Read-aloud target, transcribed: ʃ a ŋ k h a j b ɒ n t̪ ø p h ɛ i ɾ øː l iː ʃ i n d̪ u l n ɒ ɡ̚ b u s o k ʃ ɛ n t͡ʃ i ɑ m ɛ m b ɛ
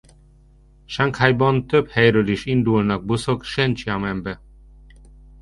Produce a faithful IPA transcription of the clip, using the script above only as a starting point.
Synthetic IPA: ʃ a ŋ k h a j b ɒ n t̪ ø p h ɛ j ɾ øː l i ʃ i n d̪ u l n ɒ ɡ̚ b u s o k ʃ ɛ n t͡ʃ i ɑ m ɛ m b ɛ